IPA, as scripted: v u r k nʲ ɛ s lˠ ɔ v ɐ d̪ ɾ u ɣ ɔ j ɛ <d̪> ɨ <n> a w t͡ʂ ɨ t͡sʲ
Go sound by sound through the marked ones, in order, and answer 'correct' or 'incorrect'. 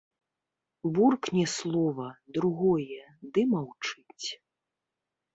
correct, incorrect: m

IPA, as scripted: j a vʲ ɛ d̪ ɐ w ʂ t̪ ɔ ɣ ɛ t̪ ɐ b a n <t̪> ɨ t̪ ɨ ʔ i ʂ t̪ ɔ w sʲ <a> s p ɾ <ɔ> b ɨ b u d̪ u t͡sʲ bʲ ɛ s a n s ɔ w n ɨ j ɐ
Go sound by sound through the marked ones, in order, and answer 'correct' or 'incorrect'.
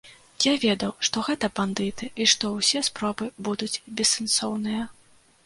incorrect: d̪, incorrect: ɛ, correct

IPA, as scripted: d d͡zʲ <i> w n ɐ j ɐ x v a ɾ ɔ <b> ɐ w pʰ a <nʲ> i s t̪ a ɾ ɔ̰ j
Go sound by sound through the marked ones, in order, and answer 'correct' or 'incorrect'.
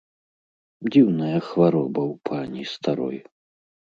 correct, correct, correct

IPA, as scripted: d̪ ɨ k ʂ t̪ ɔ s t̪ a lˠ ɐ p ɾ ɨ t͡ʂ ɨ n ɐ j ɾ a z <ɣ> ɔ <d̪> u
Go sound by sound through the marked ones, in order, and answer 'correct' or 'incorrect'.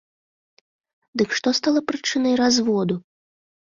incorrect: v, correct

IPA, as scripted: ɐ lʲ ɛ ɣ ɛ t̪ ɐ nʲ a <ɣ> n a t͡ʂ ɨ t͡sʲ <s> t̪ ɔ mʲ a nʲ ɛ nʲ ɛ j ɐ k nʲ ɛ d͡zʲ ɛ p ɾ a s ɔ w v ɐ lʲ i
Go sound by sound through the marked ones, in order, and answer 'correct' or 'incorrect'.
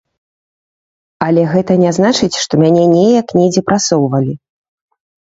incorrect: z, incorrect: ʂ

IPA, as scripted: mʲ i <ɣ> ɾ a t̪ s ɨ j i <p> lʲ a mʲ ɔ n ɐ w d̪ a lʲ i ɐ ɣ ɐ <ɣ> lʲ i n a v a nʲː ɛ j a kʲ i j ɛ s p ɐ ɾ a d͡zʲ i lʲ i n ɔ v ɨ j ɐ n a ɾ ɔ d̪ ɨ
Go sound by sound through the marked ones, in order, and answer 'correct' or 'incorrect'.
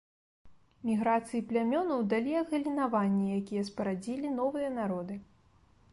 correct, correct, incorrect: none

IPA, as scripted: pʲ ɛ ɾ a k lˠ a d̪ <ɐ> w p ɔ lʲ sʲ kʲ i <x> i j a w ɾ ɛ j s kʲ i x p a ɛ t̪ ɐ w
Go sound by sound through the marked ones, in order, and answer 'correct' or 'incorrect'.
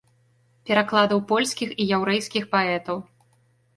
correct, correct

